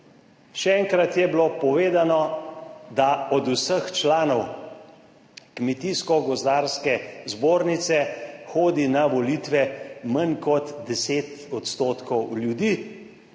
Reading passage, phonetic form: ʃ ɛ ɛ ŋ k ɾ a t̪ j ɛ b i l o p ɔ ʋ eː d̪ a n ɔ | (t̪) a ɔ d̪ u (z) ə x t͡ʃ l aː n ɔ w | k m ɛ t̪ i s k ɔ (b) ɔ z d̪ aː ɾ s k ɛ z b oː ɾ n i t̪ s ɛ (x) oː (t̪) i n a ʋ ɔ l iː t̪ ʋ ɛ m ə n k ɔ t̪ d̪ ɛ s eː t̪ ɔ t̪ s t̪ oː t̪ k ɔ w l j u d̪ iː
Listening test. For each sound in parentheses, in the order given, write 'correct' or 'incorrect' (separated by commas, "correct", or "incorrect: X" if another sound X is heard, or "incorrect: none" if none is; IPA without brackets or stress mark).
incorrect: d̪, incorrect: s, incorrect: ɡ, correct, incorrect: d̪